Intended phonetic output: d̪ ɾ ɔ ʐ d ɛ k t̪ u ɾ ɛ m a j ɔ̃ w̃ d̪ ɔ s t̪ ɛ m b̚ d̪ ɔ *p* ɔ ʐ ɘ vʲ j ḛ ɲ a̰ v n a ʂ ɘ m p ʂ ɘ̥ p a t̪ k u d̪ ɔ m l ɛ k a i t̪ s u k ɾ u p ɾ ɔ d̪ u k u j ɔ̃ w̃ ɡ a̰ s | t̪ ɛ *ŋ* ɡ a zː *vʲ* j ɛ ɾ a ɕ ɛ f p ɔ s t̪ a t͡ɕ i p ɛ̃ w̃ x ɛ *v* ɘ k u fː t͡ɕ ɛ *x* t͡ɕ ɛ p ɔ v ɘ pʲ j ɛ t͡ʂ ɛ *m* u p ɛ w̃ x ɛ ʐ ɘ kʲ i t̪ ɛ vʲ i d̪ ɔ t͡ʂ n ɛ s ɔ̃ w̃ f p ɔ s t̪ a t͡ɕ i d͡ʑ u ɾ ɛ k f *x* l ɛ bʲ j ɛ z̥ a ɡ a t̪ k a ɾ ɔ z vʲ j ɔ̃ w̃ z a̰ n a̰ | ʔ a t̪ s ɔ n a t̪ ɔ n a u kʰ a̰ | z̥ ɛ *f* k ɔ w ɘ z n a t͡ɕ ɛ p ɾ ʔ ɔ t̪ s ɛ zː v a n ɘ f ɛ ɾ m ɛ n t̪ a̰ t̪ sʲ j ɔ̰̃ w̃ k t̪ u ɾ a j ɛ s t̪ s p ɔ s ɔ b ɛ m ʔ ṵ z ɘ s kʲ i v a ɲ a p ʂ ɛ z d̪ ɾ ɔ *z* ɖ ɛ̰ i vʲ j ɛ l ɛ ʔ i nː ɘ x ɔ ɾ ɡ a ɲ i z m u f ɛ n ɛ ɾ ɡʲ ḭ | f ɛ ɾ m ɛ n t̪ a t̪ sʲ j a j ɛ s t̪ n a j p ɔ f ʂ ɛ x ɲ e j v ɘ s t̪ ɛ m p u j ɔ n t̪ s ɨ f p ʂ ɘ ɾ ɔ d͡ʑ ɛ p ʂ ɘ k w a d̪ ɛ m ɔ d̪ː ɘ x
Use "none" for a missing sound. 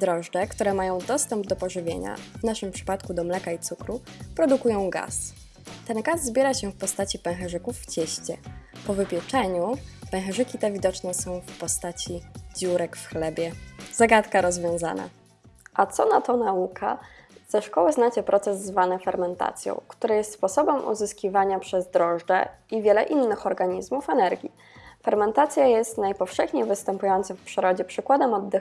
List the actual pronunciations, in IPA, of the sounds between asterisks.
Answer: p, n, bʲ, ʐ, ɕ, ɲ, x, ʂ, ʐ

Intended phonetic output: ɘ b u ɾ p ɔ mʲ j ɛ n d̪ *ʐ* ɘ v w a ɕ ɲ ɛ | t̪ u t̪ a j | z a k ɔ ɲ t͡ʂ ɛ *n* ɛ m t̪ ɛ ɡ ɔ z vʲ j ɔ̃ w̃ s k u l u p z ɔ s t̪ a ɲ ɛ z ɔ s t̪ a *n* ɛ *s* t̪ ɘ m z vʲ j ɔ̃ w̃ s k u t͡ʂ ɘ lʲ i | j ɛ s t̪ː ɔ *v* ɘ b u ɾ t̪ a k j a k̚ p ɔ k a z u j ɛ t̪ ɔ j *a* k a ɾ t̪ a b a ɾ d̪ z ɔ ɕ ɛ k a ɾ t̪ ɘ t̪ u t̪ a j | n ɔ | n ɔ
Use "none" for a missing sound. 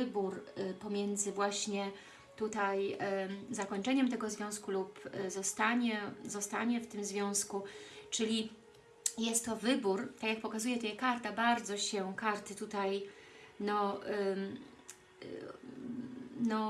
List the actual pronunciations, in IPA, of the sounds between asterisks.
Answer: z, ɲ, ɲ, f, v, ɛ

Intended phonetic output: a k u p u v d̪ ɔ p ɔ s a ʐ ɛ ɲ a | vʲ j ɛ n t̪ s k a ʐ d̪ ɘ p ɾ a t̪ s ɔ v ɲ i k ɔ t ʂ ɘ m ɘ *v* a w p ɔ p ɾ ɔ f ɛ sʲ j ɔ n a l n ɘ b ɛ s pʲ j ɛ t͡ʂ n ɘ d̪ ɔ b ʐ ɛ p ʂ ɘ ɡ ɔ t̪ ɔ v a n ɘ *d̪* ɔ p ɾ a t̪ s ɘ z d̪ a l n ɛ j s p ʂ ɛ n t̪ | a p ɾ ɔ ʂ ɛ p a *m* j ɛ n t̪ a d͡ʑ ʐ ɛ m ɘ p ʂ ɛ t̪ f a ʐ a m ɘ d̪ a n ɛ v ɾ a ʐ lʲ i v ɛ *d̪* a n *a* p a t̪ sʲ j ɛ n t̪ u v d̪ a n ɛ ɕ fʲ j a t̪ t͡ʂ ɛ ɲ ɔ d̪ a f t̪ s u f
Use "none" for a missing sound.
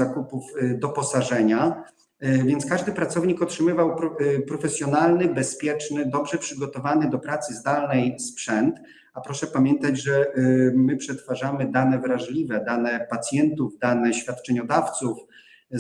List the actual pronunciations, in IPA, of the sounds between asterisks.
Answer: v, d̪, m, d̪, ɛ

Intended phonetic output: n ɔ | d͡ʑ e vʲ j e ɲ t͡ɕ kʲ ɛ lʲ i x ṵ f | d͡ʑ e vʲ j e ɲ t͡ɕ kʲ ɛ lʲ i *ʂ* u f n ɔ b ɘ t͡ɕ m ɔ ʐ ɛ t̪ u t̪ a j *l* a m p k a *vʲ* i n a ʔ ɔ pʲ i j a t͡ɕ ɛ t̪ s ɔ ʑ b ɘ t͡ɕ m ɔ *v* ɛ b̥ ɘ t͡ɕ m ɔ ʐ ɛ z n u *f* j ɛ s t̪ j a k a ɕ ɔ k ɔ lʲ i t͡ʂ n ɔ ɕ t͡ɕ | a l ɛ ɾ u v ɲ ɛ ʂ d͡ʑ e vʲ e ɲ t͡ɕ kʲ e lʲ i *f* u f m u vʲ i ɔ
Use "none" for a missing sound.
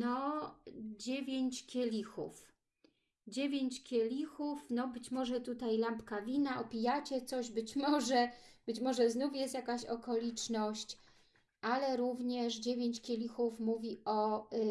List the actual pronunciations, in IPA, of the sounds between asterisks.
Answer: x, l, vʲ, ʐ, f, x

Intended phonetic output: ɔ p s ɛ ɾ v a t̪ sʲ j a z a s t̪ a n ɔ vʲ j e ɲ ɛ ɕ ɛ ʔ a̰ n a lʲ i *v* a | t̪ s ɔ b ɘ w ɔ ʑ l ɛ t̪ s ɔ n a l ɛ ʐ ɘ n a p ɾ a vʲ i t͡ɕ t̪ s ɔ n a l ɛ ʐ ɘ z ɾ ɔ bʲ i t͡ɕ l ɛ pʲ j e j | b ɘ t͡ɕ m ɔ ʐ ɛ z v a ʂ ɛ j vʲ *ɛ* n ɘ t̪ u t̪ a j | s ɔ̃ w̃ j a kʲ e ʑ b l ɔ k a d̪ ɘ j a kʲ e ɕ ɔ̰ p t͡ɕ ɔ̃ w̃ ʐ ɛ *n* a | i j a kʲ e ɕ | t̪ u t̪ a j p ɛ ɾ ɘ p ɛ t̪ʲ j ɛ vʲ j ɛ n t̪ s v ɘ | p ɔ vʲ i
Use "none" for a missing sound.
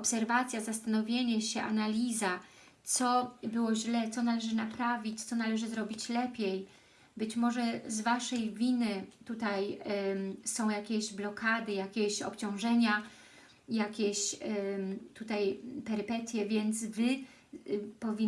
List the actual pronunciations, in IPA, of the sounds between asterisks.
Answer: z, i, ɲ

